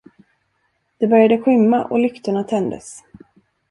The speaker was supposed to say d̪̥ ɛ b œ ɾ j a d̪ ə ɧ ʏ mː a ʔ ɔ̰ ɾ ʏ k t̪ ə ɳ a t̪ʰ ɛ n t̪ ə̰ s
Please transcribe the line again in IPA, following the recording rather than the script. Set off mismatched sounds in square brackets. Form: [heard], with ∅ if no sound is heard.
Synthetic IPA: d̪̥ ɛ b œ ɾ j a d̪ ə ɧ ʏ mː a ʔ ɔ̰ [l] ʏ k t̪ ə ɳ a t̪ʰ ɛ n [d̪] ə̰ s